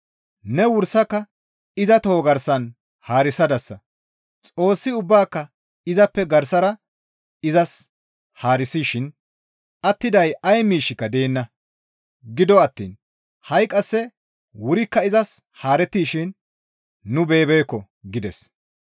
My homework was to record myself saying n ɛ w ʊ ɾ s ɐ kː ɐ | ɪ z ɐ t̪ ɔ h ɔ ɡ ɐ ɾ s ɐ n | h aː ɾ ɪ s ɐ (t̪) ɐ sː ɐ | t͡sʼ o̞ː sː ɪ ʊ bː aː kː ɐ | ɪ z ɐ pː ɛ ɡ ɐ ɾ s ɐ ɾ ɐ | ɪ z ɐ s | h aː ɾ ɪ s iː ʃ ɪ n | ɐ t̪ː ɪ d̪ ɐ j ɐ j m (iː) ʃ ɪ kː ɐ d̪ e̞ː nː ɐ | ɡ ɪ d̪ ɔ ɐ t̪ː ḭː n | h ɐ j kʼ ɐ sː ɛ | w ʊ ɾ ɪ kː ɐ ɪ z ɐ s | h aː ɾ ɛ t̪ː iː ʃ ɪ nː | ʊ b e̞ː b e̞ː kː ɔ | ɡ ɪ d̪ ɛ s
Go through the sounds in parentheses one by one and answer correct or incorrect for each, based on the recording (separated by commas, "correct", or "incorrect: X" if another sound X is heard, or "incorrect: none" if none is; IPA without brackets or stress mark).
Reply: incorrect: d̪, correct